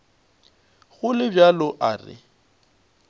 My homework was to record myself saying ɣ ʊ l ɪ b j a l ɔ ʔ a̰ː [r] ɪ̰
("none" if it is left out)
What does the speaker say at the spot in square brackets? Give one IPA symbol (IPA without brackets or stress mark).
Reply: r